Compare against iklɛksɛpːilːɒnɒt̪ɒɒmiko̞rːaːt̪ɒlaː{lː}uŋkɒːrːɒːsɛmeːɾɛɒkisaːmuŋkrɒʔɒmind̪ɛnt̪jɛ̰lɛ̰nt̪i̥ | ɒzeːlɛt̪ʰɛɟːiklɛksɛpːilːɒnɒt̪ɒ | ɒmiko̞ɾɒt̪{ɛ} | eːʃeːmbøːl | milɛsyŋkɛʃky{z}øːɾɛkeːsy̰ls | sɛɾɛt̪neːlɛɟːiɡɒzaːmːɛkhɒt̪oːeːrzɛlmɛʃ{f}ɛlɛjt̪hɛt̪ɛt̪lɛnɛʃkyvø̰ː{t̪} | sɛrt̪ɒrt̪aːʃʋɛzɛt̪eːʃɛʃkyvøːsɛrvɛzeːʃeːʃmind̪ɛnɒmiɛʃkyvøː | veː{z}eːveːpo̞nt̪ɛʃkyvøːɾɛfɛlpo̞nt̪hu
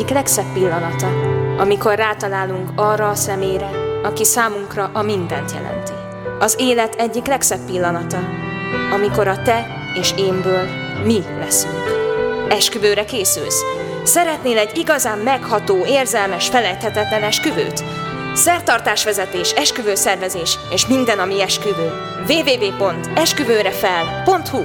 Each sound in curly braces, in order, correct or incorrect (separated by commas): incorrect, correct, incorrect, correct, correct, incorrect